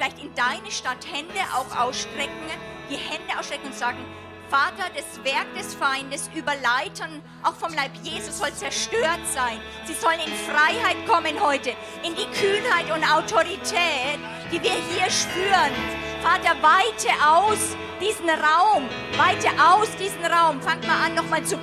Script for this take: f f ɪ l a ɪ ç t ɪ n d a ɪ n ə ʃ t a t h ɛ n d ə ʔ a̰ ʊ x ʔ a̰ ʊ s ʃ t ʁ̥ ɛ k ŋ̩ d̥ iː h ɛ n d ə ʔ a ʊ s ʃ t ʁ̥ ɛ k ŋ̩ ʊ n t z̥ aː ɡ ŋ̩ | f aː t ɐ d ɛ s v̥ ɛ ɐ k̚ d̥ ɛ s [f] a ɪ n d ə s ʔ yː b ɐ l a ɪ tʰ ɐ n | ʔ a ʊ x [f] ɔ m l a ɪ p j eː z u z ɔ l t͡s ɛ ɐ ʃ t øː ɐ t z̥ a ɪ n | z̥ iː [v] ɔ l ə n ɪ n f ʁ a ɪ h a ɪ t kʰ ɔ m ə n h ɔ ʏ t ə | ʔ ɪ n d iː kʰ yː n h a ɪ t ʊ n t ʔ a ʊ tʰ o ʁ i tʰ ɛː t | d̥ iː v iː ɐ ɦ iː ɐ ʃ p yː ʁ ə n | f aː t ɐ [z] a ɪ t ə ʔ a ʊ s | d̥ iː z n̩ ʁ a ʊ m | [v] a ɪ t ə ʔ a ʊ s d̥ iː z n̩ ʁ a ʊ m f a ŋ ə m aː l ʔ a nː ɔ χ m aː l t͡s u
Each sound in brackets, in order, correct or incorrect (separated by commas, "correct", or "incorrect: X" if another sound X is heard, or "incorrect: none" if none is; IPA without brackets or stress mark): correct, correct, incorrect: z, incorrect: v, correct